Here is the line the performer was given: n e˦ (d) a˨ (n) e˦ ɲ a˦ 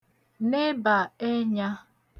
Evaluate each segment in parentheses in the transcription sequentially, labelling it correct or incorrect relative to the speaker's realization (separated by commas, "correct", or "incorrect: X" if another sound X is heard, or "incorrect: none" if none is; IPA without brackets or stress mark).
incorrect: b, incorrect: none